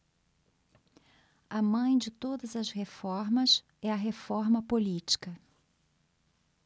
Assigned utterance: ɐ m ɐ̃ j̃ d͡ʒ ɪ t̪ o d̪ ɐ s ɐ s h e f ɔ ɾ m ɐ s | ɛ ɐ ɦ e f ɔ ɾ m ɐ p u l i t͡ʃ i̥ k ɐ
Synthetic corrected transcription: ɐ m ɐ̃ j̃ d͡ʒ ɪ t̪ o d̪ ɐ z ɐ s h e f ɔ ɾ m ɐ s | ɛ ɐ ɦ e f ɔ ɾ m ɐ p o l i t͡ʃ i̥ k ɐ